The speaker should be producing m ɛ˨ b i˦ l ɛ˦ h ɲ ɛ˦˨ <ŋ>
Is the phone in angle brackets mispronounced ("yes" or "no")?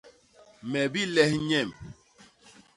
yes